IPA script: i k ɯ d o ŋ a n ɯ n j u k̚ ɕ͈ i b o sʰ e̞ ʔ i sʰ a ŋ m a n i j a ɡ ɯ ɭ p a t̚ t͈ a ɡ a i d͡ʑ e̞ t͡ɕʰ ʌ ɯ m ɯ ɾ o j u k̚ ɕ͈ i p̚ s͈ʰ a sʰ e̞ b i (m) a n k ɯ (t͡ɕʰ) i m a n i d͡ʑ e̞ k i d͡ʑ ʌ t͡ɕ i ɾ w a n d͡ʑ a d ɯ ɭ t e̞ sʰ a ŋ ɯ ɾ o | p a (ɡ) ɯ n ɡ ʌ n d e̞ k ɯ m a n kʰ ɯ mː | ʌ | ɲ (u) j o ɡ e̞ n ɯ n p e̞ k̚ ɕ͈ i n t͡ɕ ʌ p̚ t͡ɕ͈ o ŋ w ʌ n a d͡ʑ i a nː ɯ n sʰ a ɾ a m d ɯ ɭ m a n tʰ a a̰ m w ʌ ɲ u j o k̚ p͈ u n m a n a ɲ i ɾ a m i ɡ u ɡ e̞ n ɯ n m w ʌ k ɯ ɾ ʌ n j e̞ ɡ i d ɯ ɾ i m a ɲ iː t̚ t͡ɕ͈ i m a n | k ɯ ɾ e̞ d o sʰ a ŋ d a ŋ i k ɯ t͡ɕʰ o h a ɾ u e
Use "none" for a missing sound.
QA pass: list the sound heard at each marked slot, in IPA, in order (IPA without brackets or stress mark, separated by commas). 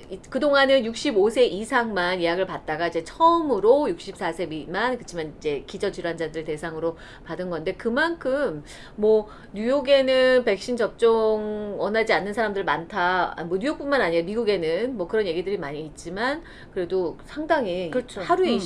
m, t͡ɕʰ, d, u